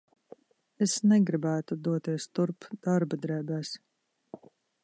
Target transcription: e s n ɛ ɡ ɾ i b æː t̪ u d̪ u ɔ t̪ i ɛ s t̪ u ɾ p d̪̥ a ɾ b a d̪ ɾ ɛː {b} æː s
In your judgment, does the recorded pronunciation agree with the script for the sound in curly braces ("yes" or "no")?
yes